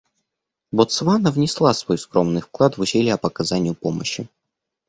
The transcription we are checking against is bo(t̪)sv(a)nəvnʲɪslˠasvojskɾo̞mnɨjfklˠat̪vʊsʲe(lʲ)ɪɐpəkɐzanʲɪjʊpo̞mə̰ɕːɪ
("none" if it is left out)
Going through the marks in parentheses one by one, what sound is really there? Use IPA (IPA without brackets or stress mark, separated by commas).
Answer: t̪, a, lʲ